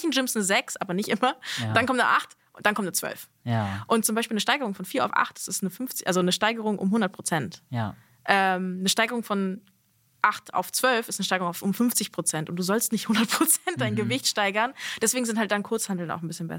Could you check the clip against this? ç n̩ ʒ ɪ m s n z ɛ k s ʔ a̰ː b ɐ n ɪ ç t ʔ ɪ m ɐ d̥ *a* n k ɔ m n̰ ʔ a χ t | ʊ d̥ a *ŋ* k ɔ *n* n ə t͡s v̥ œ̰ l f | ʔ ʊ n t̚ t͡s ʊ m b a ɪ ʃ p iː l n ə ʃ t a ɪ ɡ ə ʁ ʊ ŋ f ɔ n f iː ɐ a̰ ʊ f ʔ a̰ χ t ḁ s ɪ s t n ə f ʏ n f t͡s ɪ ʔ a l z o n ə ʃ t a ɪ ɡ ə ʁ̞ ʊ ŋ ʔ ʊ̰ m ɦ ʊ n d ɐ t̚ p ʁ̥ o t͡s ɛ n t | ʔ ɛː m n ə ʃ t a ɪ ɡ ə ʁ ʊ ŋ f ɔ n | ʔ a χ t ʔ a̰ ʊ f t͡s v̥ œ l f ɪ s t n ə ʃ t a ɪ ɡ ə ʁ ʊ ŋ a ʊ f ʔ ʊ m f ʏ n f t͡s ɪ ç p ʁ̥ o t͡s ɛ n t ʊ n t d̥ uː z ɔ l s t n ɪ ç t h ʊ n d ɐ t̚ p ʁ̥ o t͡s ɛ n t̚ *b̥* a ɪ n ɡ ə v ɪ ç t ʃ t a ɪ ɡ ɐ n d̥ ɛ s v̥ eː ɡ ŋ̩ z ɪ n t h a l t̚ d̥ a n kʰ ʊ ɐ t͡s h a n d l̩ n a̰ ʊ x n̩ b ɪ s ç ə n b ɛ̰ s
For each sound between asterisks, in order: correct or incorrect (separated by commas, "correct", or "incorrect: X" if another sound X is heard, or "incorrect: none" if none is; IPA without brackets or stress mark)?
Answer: correct, incorrect: n, incorrect: m, incorrect: d̥